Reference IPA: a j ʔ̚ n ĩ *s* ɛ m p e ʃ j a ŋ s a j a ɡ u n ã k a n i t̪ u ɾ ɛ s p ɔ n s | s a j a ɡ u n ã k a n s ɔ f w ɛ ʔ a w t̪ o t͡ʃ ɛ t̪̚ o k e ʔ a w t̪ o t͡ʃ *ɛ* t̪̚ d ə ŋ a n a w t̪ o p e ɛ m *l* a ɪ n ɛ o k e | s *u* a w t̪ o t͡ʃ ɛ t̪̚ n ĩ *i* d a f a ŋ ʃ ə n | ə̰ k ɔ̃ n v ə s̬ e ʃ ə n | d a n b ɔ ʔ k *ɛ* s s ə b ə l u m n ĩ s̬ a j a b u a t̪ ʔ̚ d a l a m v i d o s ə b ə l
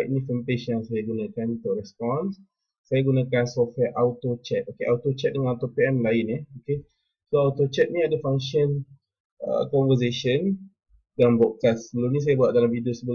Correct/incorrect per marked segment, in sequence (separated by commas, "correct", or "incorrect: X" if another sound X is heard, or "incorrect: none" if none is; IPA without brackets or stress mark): incorrect: f, correct, correct, incorrect: o, incorrect: a, incorrect: a